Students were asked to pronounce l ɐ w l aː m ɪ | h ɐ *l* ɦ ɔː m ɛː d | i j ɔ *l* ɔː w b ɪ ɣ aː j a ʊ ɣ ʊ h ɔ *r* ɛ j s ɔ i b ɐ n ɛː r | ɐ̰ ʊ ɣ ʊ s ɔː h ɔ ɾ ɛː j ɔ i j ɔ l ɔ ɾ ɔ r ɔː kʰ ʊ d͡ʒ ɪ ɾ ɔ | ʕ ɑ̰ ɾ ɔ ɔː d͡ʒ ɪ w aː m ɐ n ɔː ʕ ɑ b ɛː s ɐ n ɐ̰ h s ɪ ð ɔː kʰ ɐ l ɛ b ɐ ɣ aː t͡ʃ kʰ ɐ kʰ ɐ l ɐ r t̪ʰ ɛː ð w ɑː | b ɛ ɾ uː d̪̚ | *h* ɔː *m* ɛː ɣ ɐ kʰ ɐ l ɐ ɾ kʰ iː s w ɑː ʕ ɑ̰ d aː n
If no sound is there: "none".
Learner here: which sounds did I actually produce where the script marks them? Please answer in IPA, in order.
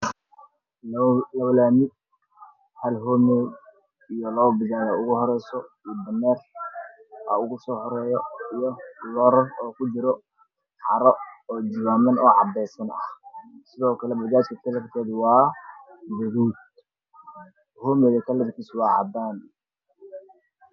l, l, ɾ, h, m

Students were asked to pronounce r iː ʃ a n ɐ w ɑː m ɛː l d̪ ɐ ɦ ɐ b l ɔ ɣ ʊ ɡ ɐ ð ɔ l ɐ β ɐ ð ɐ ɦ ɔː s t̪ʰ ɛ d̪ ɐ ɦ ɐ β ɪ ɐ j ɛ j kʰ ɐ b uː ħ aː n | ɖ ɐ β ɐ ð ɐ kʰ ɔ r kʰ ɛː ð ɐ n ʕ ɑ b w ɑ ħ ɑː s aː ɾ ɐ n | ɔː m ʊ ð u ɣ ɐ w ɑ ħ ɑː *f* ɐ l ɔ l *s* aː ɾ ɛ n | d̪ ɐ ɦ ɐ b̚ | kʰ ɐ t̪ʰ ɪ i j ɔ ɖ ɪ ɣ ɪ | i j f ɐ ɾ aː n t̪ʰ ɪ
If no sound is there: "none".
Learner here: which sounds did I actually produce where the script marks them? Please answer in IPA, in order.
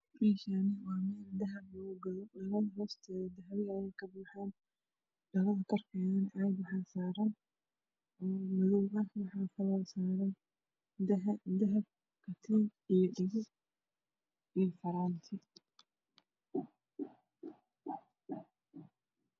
f, s

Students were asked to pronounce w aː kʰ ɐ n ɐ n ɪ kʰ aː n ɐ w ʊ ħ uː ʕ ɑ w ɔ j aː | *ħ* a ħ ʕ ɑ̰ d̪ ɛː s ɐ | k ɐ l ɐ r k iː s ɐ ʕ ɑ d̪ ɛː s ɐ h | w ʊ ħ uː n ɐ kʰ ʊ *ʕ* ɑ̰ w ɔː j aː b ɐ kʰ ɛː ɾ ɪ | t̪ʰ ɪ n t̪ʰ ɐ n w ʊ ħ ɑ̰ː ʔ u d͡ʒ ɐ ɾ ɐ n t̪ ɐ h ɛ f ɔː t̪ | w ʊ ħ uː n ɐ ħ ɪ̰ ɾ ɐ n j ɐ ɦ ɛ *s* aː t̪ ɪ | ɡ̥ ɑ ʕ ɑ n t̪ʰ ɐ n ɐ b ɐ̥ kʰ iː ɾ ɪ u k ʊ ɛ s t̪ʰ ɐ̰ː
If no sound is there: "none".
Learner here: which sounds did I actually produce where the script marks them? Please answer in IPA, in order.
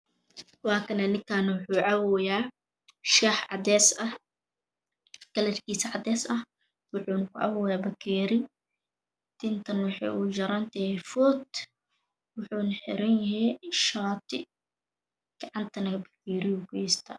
ʃ, ʕ, ʃ

